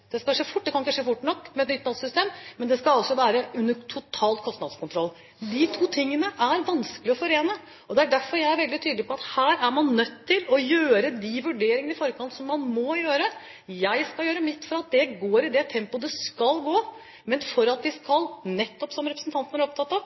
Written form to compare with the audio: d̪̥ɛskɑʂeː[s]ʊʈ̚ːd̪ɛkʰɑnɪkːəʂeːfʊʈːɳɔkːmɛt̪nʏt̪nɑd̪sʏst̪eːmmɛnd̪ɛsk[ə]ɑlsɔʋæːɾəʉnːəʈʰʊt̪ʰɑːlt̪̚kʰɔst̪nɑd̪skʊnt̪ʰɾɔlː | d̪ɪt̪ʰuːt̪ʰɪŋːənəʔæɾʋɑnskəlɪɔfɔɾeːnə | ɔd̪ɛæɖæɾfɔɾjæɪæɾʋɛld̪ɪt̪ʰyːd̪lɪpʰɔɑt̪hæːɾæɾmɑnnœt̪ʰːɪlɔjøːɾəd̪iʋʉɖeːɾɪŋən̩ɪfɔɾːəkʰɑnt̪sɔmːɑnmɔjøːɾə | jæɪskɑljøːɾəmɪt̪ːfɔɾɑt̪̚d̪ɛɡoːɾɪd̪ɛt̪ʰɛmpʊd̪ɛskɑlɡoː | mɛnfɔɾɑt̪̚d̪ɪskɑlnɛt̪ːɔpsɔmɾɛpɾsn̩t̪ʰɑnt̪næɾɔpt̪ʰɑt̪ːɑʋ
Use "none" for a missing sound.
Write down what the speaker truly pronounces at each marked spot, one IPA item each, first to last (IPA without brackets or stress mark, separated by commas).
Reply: f, ɑ